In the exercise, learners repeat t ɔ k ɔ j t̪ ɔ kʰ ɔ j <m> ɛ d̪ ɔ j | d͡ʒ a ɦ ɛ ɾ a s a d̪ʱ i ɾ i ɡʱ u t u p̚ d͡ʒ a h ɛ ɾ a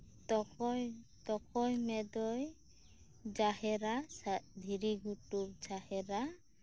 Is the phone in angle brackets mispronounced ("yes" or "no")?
no